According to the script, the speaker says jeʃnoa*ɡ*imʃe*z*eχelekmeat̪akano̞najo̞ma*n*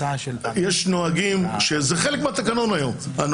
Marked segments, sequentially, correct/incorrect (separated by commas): correct, correct, correct